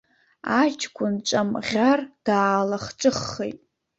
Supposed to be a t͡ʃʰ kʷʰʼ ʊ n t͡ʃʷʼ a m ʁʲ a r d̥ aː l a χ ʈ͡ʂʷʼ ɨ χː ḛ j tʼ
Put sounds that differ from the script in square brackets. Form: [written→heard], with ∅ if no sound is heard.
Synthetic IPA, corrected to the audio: a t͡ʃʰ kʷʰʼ ʊ n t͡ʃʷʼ a m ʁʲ a r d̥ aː l a χ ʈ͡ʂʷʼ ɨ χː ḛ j tʼ